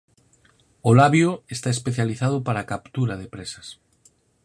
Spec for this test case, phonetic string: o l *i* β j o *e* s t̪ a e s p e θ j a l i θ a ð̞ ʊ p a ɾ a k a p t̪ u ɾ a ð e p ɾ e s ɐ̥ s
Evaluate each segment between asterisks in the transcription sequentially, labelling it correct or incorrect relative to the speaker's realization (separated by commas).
incorrect, correct